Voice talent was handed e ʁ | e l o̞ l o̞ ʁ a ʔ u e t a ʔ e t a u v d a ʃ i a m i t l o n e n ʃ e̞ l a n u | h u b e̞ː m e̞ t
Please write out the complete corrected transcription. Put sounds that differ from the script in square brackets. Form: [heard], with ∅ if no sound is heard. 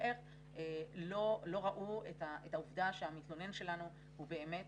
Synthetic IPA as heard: e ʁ | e l o̞ l o̞ ʁ a ʔ u e t a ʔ e t a u v d a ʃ [e] a m i t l o n e n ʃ e̞ l a n u | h u b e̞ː m e̞ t